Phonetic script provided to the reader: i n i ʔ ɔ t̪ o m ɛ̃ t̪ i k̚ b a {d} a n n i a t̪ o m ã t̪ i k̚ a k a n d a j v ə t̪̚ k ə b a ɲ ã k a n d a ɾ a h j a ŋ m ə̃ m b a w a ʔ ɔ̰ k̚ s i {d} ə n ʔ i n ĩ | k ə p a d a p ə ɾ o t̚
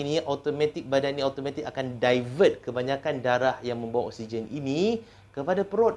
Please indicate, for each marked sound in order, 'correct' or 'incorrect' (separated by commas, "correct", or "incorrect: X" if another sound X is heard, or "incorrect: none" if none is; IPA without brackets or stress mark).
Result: correct, incorrect: d͡ʒ